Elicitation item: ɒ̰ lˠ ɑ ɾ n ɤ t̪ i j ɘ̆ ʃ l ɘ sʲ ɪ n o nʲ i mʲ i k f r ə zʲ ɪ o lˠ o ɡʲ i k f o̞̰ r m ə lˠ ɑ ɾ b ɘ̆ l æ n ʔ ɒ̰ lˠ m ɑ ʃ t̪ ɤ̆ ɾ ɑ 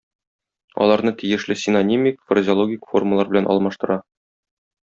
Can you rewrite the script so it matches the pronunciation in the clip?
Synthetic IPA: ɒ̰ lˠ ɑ ɾ n ɤ t̪ i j ɘ̆ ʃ l ɘ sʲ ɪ n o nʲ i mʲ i k f r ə zʲ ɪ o lˠ o ɡʲ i k f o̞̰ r m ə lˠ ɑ ɾ b ɘ̆ l æ n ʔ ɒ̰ lˠ m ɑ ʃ t̪ ɤ̆ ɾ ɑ

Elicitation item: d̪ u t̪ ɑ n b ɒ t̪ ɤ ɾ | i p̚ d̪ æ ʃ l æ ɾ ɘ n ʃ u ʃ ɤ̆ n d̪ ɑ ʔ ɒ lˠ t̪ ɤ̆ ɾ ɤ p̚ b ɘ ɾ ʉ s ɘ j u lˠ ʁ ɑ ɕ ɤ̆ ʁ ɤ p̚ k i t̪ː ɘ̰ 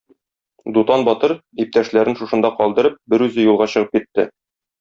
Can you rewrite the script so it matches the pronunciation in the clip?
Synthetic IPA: d̪ u t̪ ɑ n b ɒ t̪ ɤ ɾ | i p̚ t̪ æ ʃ l æ ɾ ɘ n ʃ u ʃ ɤ̆ n d̪ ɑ q ɒ lˠ d̪ ɤ̆ ɾ ɤ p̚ b ɘ ɾ ʉ z ɘ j u lˠ ʁ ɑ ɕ ɤ̆ ʁ ɤ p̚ k i t̪ː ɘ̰

